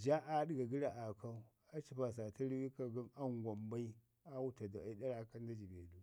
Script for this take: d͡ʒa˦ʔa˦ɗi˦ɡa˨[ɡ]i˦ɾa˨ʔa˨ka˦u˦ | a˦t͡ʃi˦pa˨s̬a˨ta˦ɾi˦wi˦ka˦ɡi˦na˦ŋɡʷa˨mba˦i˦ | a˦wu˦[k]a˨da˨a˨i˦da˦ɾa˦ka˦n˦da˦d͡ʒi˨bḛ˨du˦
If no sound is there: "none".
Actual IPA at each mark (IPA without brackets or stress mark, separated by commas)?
ɡ, t